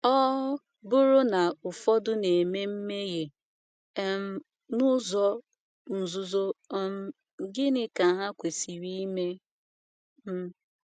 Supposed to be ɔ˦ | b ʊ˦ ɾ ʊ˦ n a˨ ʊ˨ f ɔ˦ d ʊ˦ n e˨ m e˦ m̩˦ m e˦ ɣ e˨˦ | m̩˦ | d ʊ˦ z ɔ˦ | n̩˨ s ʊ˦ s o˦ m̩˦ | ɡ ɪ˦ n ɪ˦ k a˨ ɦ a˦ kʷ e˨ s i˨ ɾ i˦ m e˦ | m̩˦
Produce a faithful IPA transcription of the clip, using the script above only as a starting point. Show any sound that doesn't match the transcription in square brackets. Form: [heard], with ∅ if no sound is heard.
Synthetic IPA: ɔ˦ | b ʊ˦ ɾ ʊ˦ n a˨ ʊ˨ f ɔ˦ d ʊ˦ n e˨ m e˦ m̩˦ m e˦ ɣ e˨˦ | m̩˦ | [n] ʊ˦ z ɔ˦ | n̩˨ [z] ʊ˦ [z] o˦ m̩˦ | ɡ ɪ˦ n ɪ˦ k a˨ ɦ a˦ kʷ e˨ s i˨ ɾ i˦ m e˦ | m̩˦